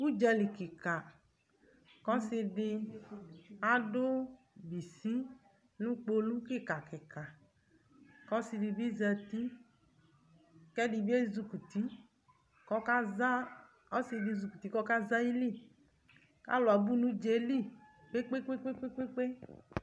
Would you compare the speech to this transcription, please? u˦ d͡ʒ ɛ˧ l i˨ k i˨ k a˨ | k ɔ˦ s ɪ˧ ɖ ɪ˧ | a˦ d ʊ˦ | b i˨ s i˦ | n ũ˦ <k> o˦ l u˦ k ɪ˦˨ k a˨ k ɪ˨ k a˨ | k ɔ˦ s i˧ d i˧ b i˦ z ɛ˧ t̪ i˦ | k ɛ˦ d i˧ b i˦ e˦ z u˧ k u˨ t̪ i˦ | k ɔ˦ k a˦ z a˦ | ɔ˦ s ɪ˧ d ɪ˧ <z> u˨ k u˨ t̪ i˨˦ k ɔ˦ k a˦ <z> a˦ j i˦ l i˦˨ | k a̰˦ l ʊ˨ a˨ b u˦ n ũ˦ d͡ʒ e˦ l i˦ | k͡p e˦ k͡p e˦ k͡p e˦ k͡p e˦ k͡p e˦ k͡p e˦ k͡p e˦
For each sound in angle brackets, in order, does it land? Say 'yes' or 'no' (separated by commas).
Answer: no, yes, yes